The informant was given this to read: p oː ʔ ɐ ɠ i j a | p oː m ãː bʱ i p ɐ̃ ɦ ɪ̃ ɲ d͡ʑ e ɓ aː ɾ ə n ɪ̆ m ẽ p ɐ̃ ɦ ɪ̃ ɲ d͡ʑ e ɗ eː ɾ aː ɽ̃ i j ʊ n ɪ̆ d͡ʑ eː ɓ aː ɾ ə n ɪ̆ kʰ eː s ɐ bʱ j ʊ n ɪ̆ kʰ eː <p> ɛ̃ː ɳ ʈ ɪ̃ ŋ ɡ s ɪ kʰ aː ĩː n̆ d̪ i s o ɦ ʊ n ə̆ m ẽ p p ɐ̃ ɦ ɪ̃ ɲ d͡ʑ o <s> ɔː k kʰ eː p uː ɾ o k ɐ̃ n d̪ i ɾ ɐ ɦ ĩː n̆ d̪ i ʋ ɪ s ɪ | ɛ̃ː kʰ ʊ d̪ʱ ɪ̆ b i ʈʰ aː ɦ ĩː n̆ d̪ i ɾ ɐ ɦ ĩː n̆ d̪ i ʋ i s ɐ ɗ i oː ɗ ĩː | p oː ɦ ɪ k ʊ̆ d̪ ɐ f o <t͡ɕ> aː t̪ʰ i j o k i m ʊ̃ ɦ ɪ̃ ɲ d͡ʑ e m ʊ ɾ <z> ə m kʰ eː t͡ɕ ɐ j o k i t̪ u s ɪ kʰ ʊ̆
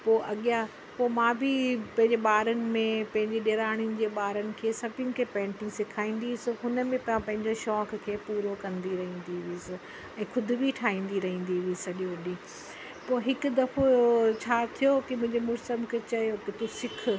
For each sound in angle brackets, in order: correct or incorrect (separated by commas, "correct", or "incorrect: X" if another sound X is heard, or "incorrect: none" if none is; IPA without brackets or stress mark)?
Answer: correct, incorrect: ʃ, incorrect: t͡ɕʰ, incorrect: s